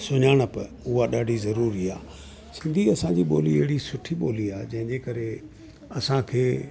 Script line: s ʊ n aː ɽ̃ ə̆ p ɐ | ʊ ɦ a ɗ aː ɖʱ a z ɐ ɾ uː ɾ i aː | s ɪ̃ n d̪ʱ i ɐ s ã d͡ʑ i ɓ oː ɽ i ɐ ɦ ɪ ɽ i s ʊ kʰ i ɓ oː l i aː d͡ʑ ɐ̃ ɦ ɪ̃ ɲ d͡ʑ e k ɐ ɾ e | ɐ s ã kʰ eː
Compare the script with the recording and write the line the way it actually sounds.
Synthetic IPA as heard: s ʊ ɲ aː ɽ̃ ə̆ p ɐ | ʊ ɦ a ɗ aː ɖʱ i z ɐ ɾ uː ɾ i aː | s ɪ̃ n d̪ʱ i ɐ s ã d͡ʑ i ɓ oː l i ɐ ɦ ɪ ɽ i s ʊ ʈʰ i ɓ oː l i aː d͡ʑ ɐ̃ ɦ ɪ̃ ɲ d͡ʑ e k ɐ ɾ e | ɐ s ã kʰ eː